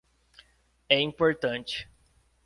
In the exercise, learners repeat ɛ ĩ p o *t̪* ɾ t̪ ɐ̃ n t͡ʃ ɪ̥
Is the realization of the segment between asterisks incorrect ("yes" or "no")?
yes